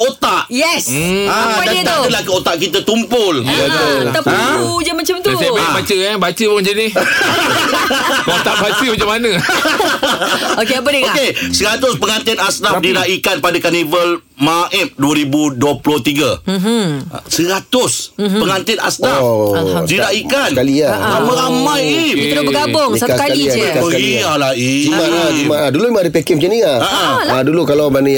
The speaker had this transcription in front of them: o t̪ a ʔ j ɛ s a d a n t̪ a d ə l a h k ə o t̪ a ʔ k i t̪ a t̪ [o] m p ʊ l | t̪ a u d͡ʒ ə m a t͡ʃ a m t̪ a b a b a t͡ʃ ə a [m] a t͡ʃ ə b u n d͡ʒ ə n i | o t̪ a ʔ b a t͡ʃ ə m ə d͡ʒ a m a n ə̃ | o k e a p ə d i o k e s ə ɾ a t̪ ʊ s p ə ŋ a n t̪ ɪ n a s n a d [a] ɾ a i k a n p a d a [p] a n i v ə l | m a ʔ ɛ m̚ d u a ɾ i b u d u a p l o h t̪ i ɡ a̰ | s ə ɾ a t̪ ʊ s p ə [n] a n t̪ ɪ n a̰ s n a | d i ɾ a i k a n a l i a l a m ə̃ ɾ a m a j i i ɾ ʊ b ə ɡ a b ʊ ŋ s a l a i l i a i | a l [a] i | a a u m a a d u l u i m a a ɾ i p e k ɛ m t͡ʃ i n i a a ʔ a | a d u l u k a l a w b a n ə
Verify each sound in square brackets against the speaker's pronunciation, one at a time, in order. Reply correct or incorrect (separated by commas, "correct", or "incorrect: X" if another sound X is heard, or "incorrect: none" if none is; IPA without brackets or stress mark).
incorrect: u, incorrect: b, incorrect: i, incorrect: k, incorrect: ŋ, correct